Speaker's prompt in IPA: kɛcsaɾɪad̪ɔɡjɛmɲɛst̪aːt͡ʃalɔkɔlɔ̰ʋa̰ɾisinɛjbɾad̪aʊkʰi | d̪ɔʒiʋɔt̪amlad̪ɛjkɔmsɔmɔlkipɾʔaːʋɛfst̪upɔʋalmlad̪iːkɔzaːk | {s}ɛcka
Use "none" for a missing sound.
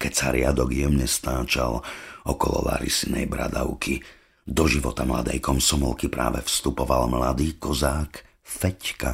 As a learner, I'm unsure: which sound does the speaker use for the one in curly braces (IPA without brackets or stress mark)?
f